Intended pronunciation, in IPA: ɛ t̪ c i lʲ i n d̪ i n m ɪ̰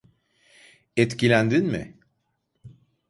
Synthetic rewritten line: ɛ t̪ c i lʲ æ n d̪ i n m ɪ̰

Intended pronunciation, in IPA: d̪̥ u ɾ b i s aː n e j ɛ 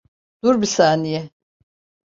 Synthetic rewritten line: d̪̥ u ɾ b i s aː n i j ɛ

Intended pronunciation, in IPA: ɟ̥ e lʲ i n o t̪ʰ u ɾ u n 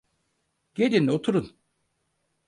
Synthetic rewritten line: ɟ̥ e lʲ i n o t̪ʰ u ɾ u n

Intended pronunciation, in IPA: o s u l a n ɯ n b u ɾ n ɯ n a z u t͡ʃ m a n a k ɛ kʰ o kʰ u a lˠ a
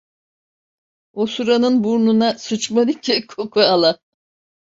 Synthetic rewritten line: o s u ɾ a n ɯ n b u ɾ n u n a s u t͡ʃ m a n i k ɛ kʰ o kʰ u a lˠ a

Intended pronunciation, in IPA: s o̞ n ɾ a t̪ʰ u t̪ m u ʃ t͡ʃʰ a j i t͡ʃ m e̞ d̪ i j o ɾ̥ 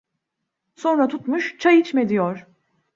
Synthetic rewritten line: s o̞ n ɾ a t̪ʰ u t̪ m u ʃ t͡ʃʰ a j i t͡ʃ m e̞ d̪ i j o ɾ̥

